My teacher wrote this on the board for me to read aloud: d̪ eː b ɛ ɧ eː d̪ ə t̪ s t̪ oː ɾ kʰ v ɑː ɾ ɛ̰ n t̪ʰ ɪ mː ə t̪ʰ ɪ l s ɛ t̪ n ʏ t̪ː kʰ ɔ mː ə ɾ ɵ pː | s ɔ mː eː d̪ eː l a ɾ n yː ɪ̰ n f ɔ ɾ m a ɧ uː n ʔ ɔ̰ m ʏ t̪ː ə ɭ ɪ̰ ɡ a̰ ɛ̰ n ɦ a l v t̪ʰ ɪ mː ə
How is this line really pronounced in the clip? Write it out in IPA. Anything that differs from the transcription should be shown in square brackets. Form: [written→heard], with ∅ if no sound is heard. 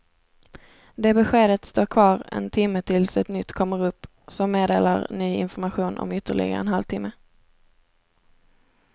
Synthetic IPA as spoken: d̪ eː b ɛ ɧ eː d̪ ə t̪ s t̪ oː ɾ kʰ v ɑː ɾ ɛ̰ n t̪ʰ ɪ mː ə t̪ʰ ɪ l s ɛ t̪ n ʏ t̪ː kʰ ɔ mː ə ɾ ɵ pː | s ɔ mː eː d̪ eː l a ɾ n yː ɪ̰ n f ɔ ɾ m a ɧ uː n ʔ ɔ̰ m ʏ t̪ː ə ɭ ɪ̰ ɡ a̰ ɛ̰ n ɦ a l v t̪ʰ ɪ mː ə

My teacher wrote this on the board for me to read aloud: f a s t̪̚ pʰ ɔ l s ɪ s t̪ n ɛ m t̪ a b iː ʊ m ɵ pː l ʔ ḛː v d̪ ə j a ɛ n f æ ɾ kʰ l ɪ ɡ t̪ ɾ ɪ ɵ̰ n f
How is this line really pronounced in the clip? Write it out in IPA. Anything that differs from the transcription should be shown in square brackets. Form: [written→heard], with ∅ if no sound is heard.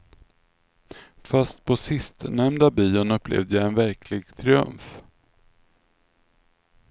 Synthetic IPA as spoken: f a s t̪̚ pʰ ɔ [l→∅] s ɪ s t̪ n ɛ m [t̪→d̪] a b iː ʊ [m→n] ɵ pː l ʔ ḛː v d̪ ə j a ɛ n [f→v] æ ɾ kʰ l ɪ ɡ [t̪→t̪ʰ] ɾ ɪ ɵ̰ [n→m] f

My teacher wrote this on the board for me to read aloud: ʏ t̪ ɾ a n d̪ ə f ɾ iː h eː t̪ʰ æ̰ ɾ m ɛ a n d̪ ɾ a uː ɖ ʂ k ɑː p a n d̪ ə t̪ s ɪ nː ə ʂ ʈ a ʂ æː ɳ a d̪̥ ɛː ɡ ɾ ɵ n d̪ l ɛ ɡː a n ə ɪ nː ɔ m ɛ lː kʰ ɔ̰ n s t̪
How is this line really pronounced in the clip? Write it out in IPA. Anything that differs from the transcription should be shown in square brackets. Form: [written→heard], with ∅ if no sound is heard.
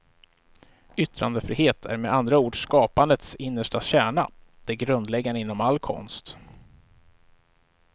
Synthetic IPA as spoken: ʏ t̪ ɾ a n d̪ ə f ɾ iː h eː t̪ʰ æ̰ ɾ m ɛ a n d̪ ɾ a uː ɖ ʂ k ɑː p a n d̪ ə t̪ s ɪ nː ə ʂ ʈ a [ʂ→ɕ] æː ɳ a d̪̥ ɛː ɡ ɾ ɵ n d̪ l ɛ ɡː a n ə ɪ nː ɔ m [ɛ→a] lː kʰ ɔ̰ n s t̪

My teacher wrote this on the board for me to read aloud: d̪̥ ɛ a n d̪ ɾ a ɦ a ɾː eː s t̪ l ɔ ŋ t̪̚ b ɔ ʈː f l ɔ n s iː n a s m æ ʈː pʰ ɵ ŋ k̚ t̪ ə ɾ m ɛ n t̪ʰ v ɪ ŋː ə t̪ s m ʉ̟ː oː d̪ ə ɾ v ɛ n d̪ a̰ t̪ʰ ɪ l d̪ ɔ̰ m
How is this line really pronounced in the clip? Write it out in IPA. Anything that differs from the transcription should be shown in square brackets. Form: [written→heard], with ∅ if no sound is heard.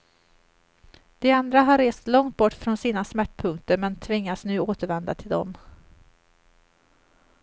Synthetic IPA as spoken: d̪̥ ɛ a n d̪ ɾ a ɦ a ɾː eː s t̪ l ɔ ŋ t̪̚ b ɔ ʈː f [l→ɾ] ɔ n s iː n a s m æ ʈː pʰ ɵ ŋ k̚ t̪ ə ɾ m ɛ n t̪ʰ v ɪ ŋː [ə→a] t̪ s [m→n] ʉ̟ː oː [d̪→t̪] ə ɾ v ɛ n d̪ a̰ t̪ʰ ɪ l d̪ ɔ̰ m

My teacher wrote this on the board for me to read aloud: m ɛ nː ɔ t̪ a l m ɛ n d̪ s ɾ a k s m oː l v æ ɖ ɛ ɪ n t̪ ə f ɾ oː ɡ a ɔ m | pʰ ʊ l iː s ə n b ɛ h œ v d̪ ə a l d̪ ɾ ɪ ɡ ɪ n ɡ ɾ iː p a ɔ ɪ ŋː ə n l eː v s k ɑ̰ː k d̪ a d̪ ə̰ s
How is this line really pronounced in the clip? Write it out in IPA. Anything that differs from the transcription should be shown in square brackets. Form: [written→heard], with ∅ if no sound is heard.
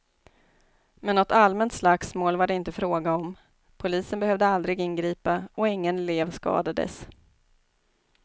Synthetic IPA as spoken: m ɛ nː ɔ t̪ a l m ɛ n [d̪→t̪] s [ɾ→l] a k s m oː l v [æ→a] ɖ ɛ ɪ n t̪ ə f ɾ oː ɡ a ɔ m | pʰ ʊ l iː s ə n b ɛ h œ v d̪ ə a l d̪ ɾ ɪ ɡ ɪ n ɡ ɾ iː p a ɔ ɪ ŋː ə n l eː v s k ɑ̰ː [k→∅] d̪ a d̪ ə̰ s

